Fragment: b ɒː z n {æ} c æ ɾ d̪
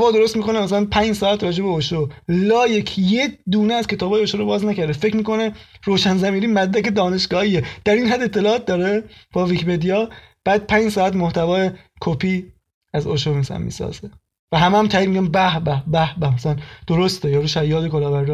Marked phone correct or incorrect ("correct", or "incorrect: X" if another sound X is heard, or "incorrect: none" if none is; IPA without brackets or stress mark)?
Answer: correct